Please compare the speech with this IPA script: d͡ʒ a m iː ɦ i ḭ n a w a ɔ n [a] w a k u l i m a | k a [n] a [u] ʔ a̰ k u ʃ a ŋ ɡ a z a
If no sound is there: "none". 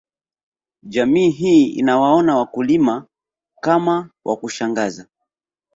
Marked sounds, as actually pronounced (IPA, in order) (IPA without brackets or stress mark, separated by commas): a, m, w